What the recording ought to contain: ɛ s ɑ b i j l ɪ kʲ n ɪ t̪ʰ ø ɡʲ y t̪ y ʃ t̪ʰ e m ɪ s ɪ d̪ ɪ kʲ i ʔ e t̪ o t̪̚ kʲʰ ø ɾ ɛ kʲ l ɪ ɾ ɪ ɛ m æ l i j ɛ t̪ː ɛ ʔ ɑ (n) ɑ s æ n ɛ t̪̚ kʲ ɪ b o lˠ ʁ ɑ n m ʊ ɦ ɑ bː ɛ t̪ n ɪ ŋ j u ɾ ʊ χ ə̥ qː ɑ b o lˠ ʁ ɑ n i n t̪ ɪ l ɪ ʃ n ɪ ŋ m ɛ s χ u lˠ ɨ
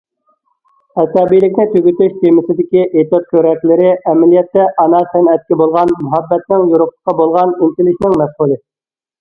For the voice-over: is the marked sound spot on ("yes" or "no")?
yes